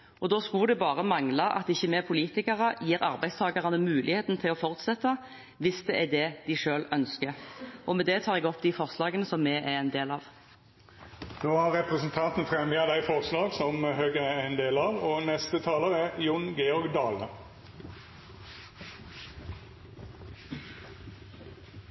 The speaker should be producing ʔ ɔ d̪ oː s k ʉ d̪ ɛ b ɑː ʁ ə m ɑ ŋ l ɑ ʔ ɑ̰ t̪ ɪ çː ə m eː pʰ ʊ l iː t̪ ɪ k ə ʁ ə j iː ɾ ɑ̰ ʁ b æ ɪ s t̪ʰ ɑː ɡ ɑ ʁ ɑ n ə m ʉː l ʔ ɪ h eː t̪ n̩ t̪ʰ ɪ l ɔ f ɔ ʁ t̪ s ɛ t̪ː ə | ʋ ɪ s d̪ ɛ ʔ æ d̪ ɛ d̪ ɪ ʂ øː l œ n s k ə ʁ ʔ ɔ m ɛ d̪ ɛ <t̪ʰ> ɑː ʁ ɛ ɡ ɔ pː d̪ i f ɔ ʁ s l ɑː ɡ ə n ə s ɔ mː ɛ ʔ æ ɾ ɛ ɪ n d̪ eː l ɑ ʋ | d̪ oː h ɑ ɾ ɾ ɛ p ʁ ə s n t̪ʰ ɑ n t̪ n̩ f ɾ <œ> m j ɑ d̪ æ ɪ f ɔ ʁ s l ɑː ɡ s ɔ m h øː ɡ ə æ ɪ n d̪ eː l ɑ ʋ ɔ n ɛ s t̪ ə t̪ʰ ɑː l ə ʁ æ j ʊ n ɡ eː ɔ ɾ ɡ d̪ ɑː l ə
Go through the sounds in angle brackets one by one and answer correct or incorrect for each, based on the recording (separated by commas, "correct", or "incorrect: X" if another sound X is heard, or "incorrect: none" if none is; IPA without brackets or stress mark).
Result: correct, incorrect: ɛ